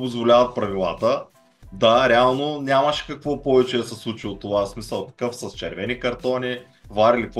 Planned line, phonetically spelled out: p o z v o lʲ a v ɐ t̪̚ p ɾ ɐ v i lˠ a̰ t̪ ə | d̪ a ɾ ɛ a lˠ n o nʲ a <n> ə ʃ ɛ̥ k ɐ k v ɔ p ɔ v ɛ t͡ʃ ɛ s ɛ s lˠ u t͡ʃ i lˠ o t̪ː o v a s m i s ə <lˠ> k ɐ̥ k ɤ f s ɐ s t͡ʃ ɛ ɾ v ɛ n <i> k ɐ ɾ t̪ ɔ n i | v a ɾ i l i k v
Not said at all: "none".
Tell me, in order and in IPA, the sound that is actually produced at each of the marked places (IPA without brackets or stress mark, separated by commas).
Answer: m, lˠ, i